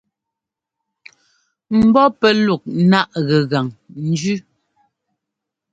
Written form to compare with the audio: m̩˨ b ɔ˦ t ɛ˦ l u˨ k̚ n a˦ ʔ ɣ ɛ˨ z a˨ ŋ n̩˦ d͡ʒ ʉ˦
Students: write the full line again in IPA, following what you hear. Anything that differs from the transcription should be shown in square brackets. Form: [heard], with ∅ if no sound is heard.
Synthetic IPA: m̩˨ b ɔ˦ [p] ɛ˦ l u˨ k̚ n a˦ ʔ ɣ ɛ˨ [ɣ] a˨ ŋ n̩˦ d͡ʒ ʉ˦